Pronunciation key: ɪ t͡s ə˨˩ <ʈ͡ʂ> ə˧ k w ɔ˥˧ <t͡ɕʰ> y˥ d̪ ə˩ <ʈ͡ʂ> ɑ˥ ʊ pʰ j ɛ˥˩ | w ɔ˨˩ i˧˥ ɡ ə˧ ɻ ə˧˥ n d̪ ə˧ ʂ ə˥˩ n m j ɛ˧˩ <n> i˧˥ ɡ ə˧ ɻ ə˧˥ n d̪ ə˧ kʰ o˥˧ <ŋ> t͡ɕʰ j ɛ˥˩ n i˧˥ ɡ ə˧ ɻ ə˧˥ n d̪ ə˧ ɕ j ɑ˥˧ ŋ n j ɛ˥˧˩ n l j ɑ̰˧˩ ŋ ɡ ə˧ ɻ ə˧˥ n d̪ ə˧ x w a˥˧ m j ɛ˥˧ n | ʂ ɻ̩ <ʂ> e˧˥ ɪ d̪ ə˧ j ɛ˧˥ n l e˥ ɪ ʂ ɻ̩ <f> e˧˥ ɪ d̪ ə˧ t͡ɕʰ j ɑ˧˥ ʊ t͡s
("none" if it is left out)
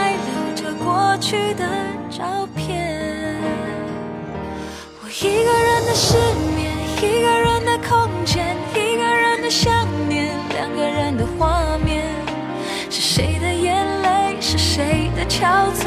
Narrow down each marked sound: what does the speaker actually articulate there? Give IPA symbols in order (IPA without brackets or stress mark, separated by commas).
ʈ͡ʂ, t͡ɕʰ, ʈ͡ʂ, n, ŋ, ʂ, ʂ